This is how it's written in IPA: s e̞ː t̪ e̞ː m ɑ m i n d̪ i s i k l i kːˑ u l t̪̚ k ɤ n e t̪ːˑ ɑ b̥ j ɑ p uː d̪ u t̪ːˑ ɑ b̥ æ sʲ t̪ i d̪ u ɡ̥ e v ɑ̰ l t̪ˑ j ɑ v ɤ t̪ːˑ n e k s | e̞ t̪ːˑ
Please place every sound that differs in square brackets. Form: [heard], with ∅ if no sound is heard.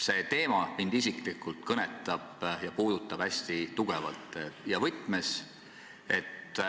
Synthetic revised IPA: s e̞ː t̪ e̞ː m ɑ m i n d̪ i s i k l i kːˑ u l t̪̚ k ɤ n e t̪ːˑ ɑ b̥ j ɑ p uː d̪ u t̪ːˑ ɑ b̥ æ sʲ t̪ i [t̪] u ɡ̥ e v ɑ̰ l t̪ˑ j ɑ v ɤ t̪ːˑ [m] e [∅] s | e̞ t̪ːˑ

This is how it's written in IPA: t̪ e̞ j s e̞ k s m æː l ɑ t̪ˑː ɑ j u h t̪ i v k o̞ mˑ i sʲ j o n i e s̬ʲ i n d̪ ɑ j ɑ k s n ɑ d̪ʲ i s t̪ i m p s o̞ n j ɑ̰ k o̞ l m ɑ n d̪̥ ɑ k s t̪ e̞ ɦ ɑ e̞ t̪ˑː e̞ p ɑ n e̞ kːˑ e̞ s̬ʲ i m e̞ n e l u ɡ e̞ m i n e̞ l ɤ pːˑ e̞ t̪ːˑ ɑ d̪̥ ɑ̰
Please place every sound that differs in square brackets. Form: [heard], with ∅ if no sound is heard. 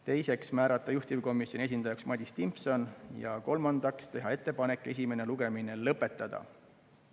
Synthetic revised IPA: t̪ e̞ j s e̞ k s m æː [ɾ] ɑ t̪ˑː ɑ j u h t̪ i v k o̞ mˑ i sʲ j o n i e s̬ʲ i n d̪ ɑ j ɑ k s [m] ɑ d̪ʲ i s t̪ i m p s o̞ n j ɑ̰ k o̞ l m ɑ n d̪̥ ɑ k s t̪ e̞ ɦ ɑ e̞ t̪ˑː e̞ p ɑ n e̞ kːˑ e̞ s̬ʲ i m e̞ n e l u ɡ e̞ m i n e̞ l ɤ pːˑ e̞ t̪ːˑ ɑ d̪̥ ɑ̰

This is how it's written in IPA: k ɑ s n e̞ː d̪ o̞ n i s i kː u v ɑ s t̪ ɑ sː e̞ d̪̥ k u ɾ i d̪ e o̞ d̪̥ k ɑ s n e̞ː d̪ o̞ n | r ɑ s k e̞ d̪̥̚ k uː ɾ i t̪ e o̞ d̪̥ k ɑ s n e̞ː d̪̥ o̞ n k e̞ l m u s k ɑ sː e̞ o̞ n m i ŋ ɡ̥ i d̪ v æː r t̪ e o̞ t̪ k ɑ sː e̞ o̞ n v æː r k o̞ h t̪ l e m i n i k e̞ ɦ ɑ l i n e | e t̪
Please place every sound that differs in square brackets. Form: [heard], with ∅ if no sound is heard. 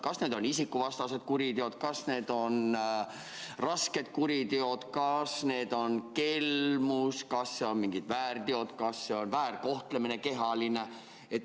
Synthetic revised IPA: k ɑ s n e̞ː d̪ o̞ n i s i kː u v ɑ s t̪ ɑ [s] e̞ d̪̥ k u ɾ i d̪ e o̞ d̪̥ k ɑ s n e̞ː d̪ o̞ n | r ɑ s k e̞ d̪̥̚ k [u] ɾ i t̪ e o̞ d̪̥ k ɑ s n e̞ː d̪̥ o̞ n k e̞ l m u s k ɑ sː e̞ o̞ n m i ŋ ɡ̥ i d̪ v æː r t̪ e o̞ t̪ k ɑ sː e̞ o̞ n v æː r k o̞ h t̪ l e m i n [e] k e̞ ɦ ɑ l i n e | e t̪

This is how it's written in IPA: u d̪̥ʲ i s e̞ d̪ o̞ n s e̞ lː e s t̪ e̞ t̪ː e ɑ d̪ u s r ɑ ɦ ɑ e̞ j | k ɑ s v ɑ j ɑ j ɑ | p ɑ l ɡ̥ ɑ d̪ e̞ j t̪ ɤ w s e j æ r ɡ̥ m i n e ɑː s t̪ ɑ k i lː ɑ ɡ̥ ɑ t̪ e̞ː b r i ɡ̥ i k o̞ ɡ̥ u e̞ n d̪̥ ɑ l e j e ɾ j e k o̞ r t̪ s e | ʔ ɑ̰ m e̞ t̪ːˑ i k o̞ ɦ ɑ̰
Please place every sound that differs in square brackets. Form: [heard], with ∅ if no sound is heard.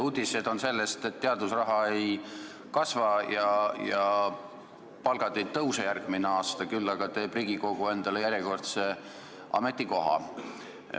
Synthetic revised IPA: u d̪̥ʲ i s e̞ d̪ o̞ n s e̞ lː e s t̪ e̞ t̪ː e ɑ d̪ u s r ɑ ɦ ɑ e̞ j | k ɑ s v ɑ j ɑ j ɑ | p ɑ l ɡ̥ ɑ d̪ e̞ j t̪ ɤ w s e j æ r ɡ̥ m i n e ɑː s t̪ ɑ k [y] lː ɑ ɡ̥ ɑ t̪ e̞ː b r i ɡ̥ i k o̞ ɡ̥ u e̞ n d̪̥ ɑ l e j [æ] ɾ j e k o̞ r t̪ s e | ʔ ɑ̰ m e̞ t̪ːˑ i k o̞ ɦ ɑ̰

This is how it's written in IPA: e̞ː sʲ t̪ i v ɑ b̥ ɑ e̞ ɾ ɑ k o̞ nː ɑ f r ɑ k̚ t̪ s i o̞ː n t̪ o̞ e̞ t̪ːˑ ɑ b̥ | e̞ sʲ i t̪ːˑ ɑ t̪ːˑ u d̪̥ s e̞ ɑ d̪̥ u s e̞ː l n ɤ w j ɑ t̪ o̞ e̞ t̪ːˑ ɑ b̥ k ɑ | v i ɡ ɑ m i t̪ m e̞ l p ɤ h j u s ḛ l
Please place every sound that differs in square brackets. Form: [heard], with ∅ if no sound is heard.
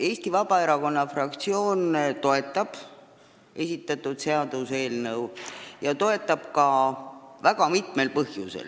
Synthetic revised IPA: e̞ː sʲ t̪ i v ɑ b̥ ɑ e̞ ɾ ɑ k o̞ nː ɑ f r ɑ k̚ t̪ s i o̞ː n t̪ o̞ e̞ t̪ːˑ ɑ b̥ | e̞ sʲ i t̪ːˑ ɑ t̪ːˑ u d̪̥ s e̞ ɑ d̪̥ u s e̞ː l n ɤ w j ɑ t̪ o̞ e̞ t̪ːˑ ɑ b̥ k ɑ | v [æ] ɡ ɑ m i t̪ m e̞ l p ɤ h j u s ḛ l

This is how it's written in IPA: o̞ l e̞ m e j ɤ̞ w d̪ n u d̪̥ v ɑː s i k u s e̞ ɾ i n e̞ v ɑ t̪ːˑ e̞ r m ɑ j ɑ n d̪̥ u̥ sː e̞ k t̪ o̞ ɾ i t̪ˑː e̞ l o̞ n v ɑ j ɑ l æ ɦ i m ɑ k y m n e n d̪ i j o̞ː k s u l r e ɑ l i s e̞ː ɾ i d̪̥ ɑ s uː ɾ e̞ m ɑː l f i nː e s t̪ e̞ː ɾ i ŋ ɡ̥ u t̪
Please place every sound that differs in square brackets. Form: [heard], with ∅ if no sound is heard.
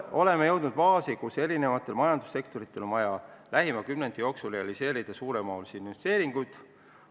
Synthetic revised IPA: o̞ l e̞ m e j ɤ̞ w d̪ n u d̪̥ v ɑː s i k u s e̞ ɾ i n e̞ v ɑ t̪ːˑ e̞ [l] m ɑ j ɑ n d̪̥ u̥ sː e̞ k t̪ o̞ ɾ i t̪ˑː e̞ l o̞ n v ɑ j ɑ l æ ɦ i m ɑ k y m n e n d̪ i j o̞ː k s u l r e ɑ l i s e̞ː ɾ i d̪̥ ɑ s uː ɾ e̞ m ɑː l [s] i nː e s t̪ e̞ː ɾ i ŋ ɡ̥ u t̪

